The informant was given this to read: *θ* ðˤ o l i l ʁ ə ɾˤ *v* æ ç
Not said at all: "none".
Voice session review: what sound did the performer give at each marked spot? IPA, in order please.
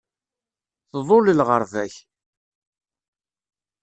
θ, v

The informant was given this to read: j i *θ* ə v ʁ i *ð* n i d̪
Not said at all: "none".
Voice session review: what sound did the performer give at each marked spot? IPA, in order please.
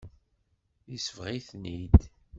s, θ

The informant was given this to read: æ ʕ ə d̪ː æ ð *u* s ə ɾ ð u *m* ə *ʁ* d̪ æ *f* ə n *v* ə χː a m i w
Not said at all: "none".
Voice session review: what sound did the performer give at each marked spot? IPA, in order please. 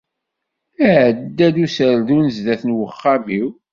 u, n, z, θ, w

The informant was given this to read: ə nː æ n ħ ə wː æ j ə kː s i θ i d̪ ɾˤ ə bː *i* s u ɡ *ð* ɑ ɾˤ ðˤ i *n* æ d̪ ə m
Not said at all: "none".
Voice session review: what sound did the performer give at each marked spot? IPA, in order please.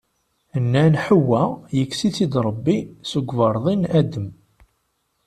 i, v, n

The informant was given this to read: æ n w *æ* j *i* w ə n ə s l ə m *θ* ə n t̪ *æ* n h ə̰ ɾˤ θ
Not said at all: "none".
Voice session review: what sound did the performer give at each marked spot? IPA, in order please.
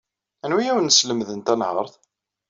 i, æ, ð, æ

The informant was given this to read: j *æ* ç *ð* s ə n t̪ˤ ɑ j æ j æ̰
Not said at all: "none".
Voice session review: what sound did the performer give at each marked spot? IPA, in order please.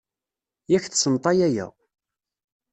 æ, θ

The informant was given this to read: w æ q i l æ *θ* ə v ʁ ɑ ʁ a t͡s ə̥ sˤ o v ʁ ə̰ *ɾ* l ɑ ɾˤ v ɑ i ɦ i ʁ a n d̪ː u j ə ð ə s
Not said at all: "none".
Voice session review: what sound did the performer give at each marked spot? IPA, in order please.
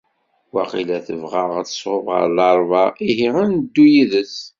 θ, ɾ

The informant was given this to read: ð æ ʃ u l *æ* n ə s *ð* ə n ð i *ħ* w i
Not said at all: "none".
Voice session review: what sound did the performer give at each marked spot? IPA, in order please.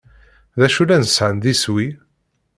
æ, ʕ, s

